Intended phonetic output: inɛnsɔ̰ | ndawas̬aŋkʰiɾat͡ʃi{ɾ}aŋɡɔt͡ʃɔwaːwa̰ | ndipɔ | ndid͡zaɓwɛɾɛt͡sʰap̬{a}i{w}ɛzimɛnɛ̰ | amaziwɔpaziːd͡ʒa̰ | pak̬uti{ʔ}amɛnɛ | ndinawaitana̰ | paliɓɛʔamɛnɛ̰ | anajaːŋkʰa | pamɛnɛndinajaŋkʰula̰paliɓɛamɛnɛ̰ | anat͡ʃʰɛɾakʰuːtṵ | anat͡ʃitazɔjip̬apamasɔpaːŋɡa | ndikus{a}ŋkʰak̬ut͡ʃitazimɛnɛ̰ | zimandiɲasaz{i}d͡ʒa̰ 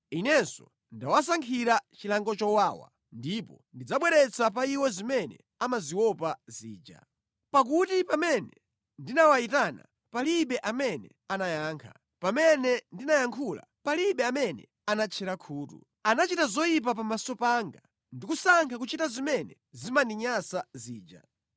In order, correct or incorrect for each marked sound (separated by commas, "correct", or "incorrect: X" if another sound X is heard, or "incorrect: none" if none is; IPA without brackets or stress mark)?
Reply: incorrect: l, correct, correct, incorrect: p, correct, incorrect: iː